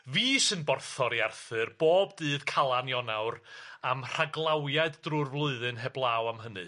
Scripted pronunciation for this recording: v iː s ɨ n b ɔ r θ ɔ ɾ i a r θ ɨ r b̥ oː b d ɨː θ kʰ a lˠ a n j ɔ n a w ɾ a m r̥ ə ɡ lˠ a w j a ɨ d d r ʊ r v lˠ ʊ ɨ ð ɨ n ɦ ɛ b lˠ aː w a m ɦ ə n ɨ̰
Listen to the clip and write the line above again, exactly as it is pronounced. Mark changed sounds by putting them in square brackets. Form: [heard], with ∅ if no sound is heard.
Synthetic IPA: v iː s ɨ n b ɔ r θ ɔ ɾ i a r θ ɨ r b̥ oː b d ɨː [ð] kʰ a lˠ a n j ɔ n a w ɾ a m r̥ [a] ɡ lˠ a w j a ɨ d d r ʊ r v lˠ ʊ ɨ ð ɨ n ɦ ɛ b lˠ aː w a m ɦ ə n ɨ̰